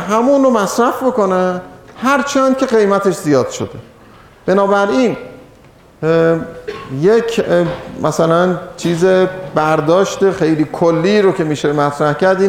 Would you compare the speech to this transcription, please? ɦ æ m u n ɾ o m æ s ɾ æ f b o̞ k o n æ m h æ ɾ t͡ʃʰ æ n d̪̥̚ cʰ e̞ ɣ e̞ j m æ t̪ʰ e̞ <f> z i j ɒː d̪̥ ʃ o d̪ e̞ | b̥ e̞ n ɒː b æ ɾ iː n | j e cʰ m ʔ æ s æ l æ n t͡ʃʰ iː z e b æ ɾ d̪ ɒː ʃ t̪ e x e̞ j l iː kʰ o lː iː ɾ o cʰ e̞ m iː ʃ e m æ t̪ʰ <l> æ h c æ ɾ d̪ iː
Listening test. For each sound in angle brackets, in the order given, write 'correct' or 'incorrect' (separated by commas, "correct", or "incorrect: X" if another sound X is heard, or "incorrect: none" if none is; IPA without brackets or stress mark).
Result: incorrect: ʃ, incorrect: ɾ